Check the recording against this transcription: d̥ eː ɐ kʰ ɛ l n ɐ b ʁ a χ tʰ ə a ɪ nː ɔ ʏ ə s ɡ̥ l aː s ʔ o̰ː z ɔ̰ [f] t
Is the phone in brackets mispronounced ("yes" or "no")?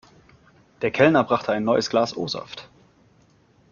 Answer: no